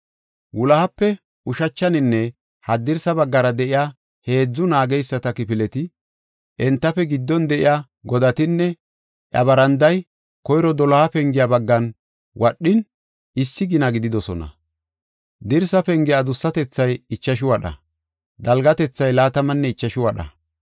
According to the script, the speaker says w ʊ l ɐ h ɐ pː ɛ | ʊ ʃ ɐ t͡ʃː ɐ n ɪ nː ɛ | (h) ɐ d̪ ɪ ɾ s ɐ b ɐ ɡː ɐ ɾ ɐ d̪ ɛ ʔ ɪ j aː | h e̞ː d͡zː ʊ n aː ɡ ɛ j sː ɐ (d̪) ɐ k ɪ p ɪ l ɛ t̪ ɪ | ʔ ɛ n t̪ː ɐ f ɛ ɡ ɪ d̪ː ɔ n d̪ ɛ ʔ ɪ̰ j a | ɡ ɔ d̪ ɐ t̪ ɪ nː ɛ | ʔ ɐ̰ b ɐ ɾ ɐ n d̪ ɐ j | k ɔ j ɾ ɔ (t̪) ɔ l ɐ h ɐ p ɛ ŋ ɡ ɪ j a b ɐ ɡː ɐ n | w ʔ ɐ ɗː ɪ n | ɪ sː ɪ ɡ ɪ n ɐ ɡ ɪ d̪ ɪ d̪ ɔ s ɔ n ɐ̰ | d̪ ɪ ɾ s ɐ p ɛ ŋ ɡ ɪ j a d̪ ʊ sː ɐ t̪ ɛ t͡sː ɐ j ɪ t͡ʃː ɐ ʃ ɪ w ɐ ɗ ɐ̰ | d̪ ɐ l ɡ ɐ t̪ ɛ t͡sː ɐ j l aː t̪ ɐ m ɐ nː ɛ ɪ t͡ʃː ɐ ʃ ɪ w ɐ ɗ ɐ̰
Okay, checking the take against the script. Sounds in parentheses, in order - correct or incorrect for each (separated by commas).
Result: correct, incorrect, incorrect